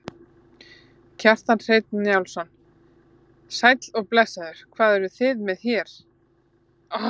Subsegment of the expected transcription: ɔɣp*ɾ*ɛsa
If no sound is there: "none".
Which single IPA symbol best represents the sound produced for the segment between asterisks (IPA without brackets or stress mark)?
l